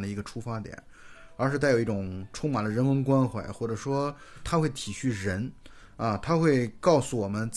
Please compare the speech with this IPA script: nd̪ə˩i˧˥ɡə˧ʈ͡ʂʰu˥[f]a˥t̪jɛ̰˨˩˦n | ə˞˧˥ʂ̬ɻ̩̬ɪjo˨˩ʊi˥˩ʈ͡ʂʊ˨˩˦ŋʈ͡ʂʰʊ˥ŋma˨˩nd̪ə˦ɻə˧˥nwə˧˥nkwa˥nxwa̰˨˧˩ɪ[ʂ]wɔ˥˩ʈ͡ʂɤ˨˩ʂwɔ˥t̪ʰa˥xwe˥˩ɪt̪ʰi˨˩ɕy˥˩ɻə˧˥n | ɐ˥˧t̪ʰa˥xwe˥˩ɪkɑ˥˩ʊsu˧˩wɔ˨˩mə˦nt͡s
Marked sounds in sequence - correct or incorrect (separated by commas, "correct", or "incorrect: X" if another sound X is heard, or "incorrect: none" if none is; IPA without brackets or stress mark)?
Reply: correct, incorrect: x